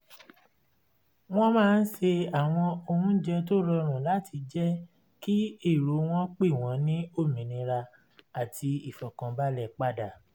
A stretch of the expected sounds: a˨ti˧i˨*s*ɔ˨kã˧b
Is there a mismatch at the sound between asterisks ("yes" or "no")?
yes